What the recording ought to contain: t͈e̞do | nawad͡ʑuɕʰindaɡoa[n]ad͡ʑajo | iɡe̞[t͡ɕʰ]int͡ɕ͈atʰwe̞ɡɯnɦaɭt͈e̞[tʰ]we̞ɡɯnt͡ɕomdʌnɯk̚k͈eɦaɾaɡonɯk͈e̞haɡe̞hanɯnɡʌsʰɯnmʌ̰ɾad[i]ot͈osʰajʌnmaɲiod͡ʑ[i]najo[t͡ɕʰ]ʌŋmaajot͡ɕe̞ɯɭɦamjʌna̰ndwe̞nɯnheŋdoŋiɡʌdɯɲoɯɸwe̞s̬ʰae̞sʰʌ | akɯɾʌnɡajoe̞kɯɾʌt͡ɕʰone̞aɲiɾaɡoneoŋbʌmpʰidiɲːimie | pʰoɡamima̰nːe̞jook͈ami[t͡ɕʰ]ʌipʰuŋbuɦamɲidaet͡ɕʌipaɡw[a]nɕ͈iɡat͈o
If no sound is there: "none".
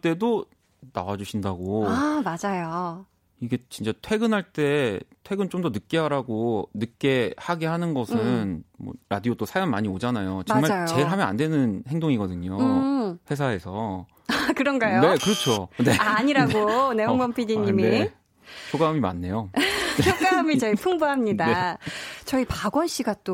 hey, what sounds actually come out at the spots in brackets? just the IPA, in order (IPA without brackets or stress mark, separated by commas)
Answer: m, t͡ɕ, tʰ, i, a, t͡ɕ, t͡ɕ, ʌ